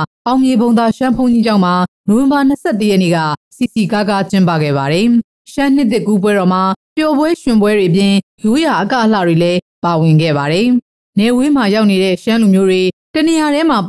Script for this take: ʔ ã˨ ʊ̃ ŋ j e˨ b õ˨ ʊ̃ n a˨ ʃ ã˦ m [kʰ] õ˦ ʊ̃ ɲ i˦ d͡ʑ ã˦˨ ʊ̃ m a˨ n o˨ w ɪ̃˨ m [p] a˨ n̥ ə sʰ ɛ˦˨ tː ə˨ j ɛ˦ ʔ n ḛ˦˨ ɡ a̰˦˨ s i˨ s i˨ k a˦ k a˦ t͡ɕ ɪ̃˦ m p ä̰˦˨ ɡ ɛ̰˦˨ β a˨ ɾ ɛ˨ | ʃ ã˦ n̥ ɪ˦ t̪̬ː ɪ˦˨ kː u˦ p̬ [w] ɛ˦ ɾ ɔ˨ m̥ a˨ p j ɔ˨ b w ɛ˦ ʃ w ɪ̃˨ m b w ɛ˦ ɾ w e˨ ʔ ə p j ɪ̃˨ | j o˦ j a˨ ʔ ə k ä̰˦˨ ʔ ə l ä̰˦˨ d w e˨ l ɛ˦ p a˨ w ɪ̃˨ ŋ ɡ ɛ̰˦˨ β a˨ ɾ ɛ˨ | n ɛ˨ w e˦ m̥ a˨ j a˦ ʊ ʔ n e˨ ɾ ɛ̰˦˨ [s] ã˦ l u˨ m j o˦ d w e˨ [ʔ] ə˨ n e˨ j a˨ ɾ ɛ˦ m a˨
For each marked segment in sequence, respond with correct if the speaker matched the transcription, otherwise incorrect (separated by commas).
incorrect, incorrect, correct, incorrect, incorrect